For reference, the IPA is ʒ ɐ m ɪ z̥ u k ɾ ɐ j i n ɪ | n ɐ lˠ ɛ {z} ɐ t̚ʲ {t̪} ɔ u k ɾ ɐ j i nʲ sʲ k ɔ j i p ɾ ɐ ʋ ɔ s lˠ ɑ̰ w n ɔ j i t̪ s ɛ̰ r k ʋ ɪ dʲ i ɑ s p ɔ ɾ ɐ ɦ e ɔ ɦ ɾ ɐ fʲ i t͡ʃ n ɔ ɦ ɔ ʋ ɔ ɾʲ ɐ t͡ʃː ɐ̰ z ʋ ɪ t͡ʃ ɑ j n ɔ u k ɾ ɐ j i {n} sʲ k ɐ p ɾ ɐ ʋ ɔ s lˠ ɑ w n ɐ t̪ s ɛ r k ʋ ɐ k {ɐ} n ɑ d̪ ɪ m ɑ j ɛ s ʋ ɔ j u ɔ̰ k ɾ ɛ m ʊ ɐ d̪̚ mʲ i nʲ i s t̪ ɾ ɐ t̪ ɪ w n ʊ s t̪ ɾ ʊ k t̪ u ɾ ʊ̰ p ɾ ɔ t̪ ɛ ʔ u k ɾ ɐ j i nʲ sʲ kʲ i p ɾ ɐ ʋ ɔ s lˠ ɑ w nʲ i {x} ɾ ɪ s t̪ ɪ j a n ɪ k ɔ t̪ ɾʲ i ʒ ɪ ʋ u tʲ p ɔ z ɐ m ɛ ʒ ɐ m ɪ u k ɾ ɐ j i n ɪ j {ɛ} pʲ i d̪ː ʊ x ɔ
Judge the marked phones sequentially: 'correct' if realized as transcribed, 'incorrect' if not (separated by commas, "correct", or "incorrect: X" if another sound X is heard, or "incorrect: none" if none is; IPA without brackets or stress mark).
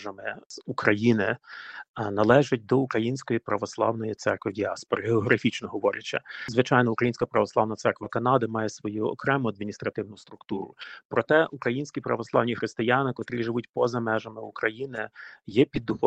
incorrect: ʒ, incorrect: d̪, correct, correct, correct, correct